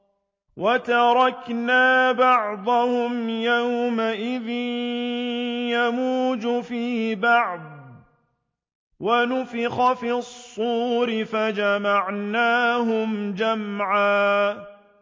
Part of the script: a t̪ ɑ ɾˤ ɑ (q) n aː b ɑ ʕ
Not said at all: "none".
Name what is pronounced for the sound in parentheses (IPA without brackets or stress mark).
k